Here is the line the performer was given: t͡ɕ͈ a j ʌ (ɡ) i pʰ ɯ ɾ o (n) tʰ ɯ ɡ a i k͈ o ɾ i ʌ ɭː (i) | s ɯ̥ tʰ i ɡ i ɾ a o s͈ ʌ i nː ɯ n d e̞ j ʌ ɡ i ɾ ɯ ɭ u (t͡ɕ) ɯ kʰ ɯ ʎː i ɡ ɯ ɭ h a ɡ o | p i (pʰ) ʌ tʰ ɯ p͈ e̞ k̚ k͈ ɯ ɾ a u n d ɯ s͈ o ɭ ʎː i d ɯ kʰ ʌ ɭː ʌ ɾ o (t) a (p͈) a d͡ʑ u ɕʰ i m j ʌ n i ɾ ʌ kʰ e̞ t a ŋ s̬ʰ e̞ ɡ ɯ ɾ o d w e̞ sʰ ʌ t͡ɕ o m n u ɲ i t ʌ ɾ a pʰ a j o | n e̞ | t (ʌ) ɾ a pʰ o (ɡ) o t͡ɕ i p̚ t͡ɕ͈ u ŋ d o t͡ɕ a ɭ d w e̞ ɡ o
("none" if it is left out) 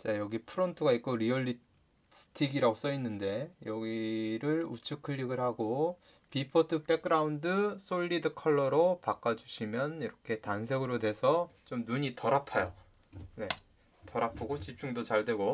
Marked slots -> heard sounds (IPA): ɡ, n, i, t͡ɕʰ, pʰ, p, k͈, ʌ, ɡ

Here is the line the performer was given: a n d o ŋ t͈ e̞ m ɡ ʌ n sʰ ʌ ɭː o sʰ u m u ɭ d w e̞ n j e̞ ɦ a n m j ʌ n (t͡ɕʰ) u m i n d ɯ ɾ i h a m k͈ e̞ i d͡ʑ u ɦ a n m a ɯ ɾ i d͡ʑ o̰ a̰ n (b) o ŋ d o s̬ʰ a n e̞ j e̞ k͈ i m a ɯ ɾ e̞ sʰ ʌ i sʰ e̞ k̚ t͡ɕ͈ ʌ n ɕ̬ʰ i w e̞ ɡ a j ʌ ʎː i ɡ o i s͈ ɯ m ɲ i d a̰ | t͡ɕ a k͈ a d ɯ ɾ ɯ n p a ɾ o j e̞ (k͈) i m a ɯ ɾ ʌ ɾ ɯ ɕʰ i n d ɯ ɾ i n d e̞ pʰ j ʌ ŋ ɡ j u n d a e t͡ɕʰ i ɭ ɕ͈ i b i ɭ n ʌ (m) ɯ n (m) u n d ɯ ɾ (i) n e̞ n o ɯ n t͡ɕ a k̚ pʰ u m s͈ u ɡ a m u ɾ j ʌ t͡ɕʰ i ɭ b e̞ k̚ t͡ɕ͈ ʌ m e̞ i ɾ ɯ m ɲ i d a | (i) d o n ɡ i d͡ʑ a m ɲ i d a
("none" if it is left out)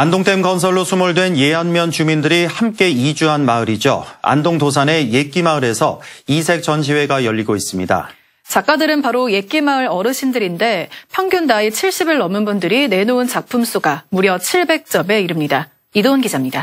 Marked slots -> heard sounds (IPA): t͡ɕ, d, k͈, m, b, i, i

